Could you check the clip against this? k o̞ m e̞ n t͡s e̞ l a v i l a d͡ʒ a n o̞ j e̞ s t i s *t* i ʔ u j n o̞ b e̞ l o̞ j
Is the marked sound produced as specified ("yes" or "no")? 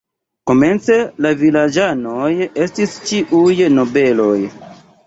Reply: no